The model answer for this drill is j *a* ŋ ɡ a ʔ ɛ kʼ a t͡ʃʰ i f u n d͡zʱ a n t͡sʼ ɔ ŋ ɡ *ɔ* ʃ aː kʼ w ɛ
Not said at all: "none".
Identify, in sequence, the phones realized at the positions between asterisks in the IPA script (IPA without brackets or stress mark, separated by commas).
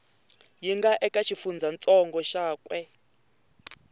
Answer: i, ɔ